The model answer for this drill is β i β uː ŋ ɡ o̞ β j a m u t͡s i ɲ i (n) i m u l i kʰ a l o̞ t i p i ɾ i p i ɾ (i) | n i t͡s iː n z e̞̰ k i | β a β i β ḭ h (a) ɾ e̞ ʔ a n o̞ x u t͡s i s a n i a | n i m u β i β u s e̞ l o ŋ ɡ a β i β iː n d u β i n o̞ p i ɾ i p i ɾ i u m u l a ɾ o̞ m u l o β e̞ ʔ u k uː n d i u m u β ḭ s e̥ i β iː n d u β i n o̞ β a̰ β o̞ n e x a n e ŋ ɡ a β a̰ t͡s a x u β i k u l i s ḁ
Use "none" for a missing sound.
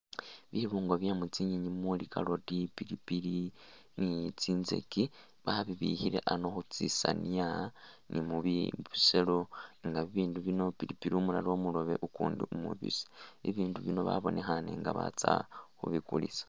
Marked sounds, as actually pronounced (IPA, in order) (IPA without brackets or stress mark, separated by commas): ɲ, i, i